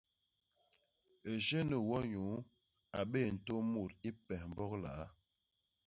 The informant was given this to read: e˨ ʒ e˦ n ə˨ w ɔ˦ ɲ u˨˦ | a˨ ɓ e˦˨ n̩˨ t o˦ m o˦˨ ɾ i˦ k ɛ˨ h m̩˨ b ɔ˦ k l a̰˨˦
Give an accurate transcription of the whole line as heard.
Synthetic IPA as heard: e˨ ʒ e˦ n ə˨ w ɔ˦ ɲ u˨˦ | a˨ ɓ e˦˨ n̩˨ t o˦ m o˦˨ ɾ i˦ p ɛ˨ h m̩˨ b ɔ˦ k l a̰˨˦